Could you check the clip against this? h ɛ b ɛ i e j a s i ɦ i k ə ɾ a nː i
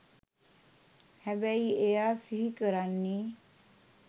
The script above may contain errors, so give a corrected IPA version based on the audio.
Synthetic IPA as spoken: h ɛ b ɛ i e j a s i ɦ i k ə ɾ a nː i